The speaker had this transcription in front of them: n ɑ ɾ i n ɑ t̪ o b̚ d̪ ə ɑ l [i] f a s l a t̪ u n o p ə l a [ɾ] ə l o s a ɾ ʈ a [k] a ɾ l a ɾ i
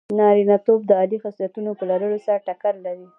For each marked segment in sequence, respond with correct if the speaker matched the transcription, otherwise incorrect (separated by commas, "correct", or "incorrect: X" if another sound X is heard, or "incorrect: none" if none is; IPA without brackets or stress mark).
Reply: correct, correct, correct